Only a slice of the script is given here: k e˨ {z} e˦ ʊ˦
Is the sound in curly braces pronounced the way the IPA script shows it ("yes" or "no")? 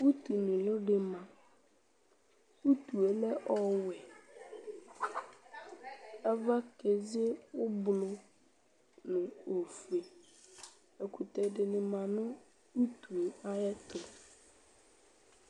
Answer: yes